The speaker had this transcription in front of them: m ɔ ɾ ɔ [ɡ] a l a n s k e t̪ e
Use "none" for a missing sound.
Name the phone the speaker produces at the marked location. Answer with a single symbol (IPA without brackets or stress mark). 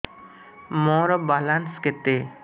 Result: b